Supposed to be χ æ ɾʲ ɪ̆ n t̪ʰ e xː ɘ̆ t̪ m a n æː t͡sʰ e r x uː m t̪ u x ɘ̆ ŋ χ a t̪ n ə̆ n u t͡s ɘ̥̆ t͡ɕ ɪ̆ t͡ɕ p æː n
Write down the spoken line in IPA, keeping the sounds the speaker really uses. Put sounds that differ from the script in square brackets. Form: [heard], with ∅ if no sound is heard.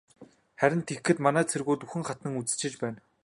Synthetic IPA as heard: χ æ ɾʲ ɪ̆ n t̪ʰ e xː ɘ̆ t̪ m a n æː t͡sʰ e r [ɣ] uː [∅] t̪ u x ɘ̆ ŋ χ a t̪ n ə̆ [ŋ] u t͡s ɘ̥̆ t͡ɕ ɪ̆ t͡ɕ p æː n